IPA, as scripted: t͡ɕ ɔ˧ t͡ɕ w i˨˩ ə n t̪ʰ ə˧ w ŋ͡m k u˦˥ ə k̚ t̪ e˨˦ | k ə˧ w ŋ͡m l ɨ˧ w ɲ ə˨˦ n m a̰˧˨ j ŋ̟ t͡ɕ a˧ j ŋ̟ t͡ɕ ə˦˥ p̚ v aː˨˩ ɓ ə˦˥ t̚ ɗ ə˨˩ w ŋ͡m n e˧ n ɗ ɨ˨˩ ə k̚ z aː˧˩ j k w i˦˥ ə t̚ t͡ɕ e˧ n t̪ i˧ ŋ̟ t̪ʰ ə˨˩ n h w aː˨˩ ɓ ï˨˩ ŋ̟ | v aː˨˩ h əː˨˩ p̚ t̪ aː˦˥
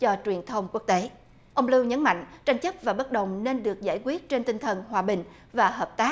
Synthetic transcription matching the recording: t͡ɕ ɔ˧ t͡ɕ w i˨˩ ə n t̪ʰ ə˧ w ŋ͡m k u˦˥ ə k̚ t̪ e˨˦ | ʔ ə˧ w ŋ͡m l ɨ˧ w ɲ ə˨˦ n m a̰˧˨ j ŋ̟ t͡ɕ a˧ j ŋ̟ t͡ɕ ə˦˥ p̚ v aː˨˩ ɓ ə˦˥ t̚ ɗ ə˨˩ w ŋ͡m n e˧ n ɗ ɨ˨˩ ə k̚ z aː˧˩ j k w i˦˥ ə t̚ t͡ɕ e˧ n t̪ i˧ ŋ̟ t̪ʰ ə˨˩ n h w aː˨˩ ɓ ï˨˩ ŋ̟ | v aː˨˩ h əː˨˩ p̚ t̪ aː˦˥

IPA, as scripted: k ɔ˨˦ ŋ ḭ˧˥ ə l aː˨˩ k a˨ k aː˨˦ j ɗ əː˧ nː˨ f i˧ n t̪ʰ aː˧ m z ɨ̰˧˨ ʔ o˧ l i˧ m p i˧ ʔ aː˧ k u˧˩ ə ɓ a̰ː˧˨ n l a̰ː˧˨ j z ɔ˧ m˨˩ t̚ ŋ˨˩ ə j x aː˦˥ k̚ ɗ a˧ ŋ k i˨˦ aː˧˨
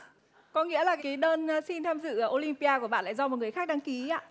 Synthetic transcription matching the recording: k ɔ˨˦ ŋ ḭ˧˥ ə l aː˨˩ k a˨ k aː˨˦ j ɗ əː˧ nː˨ s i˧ n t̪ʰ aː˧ m z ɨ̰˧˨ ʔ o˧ l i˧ m p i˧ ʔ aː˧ k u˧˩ ə ɓ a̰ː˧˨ n l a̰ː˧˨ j z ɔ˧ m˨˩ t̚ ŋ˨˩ ə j x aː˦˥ k̚ ɗ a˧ ŋ k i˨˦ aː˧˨

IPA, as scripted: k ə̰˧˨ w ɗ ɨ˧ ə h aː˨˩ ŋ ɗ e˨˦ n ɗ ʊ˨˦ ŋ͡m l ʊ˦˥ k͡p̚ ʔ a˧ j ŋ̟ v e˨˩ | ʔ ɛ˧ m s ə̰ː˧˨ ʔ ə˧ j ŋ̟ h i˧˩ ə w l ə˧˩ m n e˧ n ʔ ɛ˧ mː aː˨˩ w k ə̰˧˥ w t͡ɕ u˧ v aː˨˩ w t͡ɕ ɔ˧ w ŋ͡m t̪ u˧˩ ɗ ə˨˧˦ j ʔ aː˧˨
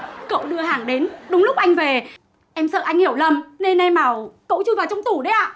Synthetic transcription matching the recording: k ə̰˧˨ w ɗ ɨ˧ ə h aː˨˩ ŋ ɗ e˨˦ n ɗ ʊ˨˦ ŋ͡m l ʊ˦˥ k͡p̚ ʔ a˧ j ŋ̟ v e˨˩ | ʔ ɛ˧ m s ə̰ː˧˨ ʔ a˧ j ŋ̟ h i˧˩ ə w l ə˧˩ m n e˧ n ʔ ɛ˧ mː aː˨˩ w k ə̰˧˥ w t͡ɕ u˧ v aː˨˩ w t͡ɕ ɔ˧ w ŋ͡m t̪ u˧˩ ɗ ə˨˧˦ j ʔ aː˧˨

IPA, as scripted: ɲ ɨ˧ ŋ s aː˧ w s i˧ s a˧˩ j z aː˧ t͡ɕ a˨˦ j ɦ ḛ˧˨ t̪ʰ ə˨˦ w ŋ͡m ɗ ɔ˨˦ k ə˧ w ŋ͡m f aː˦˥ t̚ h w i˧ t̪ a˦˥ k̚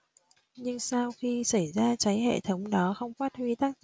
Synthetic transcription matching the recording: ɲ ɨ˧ ŋ s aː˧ w x i˧ s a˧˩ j z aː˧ t͡ɕ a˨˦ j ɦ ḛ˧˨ t̪ʰ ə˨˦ w ŋ͡m ɗ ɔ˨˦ x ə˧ w ŋ͡m f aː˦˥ t̚ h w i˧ t̪ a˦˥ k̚

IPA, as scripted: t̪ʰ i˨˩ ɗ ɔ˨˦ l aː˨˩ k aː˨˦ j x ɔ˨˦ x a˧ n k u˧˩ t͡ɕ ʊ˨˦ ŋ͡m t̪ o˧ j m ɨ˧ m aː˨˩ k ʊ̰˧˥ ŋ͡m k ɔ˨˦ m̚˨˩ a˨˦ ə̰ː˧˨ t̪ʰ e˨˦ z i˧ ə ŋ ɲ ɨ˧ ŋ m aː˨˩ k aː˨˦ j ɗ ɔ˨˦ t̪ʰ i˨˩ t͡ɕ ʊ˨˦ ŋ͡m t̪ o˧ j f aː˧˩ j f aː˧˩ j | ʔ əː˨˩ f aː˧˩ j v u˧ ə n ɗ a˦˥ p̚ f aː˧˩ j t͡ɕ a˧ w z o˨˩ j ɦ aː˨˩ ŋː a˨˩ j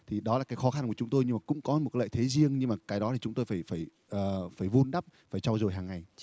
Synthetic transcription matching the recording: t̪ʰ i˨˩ ɗ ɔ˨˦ l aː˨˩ k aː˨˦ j x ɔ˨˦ x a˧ n k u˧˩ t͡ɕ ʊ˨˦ ŋ͡m t̪ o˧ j ɲ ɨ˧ m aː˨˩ k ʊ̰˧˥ ŋ͡m k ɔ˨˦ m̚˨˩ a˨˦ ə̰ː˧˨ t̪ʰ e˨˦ z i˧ ə ŋ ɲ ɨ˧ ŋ m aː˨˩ k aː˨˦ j ɗ ɔ˨˦ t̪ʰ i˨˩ t͡ɕ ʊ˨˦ ŋ͡m t̪ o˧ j f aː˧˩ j f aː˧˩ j | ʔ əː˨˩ f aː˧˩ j v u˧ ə n ɗ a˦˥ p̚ f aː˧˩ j t͡ɕ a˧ w z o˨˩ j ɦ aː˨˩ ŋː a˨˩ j

